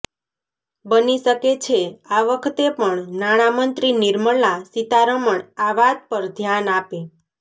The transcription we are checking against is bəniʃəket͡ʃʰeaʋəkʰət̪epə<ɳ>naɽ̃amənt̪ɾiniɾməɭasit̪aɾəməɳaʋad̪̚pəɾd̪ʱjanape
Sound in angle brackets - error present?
no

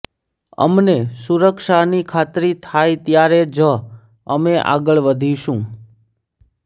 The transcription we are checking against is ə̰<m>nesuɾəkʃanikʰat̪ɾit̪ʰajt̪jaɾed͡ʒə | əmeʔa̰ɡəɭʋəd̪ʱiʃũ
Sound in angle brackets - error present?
no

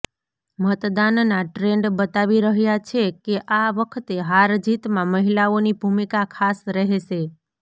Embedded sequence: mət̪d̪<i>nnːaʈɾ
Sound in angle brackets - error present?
yes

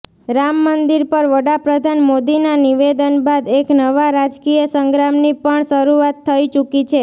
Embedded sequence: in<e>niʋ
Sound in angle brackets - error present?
yes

